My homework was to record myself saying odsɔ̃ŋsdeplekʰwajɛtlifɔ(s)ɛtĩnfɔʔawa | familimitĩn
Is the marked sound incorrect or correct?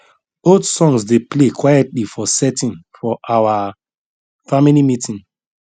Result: correct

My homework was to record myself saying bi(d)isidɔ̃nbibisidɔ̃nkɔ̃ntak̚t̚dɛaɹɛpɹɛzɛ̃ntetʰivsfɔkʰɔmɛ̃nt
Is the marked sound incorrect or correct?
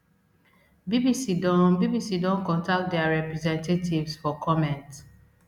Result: incorrect: b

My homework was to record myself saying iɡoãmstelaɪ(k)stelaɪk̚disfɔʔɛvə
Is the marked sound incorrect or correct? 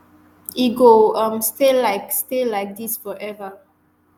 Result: correct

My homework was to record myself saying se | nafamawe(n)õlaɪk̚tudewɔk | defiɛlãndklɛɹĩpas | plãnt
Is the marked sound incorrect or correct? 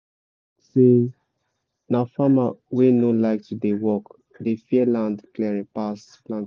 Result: correct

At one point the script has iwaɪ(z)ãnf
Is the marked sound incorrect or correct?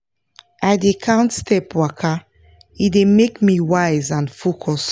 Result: correct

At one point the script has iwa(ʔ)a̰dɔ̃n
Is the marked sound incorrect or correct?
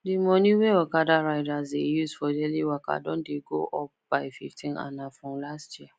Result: incorrect: k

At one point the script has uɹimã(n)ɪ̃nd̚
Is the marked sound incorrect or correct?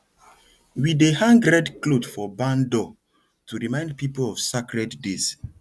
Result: incorrect: none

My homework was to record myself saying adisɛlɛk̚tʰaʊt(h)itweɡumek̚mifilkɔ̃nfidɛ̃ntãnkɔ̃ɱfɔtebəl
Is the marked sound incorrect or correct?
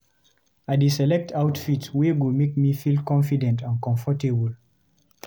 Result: incorrect: f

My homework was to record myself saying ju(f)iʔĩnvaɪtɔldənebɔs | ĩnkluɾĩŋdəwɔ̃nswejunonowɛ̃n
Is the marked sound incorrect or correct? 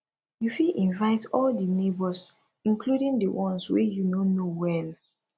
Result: correct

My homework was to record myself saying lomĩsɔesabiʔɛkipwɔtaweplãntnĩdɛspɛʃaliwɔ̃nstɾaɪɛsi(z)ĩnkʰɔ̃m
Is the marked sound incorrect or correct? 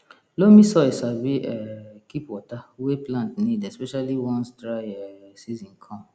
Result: correct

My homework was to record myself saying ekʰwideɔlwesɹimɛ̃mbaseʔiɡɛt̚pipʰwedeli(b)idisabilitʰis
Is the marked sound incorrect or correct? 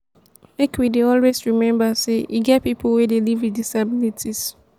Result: incorrect: v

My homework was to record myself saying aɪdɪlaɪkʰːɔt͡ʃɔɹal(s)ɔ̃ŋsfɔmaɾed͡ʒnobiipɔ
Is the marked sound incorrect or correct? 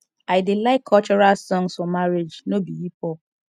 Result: correct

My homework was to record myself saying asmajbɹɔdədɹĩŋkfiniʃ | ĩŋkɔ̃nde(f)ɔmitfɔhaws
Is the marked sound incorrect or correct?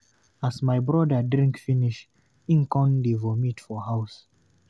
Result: incorrect: v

